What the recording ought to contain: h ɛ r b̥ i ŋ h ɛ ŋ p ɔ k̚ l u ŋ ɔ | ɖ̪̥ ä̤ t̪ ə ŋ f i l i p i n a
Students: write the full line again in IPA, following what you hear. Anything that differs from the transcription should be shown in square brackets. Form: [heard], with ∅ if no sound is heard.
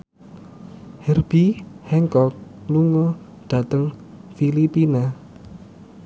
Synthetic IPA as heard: h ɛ r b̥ i [∅] h ɛ ŋ [k] ɔ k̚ l u ŋ ɔ | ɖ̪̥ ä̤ t̪ ə ŋ f i l i p i n a